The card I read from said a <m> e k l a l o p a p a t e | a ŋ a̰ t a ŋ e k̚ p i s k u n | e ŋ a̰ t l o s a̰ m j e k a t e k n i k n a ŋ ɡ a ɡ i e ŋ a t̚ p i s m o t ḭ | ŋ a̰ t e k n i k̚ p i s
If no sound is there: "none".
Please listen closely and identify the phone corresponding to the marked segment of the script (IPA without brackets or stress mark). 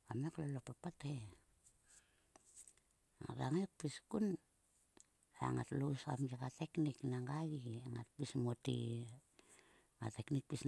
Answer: m